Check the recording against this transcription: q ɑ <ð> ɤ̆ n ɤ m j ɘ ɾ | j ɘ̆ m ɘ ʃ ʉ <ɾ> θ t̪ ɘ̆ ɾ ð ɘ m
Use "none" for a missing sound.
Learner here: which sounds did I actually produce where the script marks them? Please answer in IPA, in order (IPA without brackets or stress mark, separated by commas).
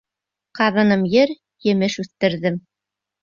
ð, none